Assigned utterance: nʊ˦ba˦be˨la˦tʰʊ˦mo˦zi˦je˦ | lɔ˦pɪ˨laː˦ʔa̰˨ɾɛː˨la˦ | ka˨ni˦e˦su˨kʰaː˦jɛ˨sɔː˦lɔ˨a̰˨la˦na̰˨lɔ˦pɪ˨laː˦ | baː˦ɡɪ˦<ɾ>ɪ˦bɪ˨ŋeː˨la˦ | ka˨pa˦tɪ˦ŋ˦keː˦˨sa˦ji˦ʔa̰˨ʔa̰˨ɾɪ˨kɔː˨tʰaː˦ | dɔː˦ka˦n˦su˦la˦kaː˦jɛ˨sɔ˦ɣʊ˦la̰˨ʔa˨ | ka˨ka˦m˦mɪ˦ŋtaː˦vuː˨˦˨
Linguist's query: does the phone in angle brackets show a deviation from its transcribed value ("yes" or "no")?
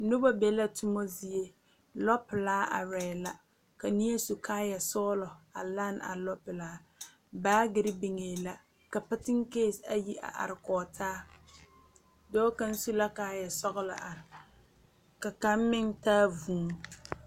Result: no